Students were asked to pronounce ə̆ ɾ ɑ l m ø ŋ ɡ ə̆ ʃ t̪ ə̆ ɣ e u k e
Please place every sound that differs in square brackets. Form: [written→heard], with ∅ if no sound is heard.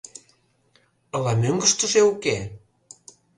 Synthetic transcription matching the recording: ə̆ [ɾ→l] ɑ [l→∅] m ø ŋ ɡ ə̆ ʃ t̪ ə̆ [ɣ→ʒ] e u k e